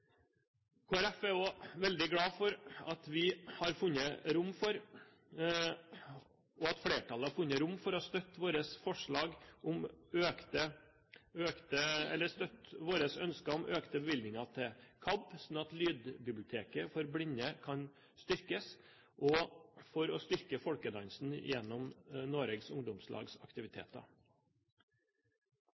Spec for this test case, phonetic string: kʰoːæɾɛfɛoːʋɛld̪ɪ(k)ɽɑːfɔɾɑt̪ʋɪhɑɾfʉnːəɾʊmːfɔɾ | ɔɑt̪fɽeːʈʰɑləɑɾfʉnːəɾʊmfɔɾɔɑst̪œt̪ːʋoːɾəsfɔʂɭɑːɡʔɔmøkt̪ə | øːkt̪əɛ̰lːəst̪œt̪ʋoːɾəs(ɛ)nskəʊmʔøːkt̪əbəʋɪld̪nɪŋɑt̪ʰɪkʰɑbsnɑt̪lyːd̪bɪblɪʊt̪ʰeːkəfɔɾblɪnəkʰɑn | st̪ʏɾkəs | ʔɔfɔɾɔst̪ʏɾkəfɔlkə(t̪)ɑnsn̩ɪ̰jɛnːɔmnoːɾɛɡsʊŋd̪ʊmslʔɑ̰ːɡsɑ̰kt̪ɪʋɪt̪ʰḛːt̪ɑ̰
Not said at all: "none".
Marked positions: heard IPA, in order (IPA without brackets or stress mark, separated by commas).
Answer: ɡ, œ, d̪